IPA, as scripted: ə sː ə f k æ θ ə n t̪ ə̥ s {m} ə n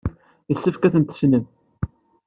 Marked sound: incorrect: n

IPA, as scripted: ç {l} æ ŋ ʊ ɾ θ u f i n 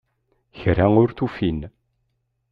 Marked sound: incorrect: ɾ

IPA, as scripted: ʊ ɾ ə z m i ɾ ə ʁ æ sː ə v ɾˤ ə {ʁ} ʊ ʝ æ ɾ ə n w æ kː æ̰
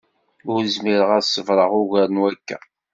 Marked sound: correct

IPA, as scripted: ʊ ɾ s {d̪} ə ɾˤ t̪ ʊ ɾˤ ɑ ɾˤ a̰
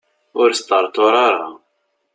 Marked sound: incorrect: t̪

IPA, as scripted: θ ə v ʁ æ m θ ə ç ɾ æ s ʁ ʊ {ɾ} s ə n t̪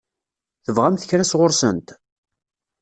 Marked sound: correct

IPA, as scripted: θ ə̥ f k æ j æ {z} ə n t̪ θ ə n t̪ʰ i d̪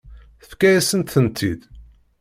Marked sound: incorrect: s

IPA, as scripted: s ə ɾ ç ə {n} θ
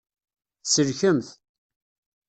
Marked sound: incorrect: m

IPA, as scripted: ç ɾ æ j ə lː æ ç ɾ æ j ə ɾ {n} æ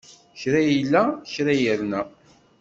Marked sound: correct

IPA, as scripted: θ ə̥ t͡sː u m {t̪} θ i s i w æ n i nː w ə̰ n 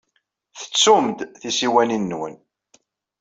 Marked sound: incorrect: d̪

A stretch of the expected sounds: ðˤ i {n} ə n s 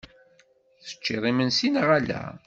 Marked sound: incorrect: m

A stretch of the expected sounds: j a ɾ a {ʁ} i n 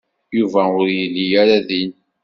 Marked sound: incorrect: ð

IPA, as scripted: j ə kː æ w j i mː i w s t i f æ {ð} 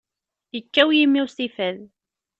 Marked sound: correct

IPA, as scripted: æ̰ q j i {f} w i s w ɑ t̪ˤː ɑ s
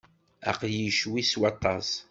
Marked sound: incorrect: ʃ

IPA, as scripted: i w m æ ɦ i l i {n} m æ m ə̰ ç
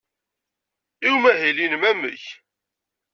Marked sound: correct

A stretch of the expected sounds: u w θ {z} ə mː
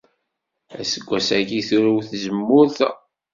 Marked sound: correct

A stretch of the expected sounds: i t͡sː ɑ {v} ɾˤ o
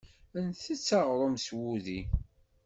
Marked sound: incorrect: ʁ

